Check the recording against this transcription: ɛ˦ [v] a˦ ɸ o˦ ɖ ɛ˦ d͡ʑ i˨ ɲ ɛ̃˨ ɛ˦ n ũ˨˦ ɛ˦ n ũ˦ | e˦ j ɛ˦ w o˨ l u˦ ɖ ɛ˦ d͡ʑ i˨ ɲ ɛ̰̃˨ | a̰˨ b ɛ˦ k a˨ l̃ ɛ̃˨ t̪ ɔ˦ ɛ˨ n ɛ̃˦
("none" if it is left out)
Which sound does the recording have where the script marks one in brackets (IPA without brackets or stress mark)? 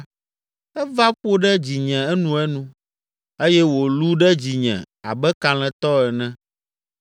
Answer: v